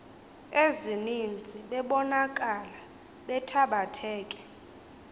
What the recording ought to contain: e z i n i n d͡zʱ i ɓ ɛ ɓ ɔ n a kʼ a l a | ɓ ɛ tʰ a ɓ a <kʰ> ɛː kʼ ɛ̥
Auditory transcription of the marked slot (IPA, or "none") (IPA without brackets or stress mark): tʰ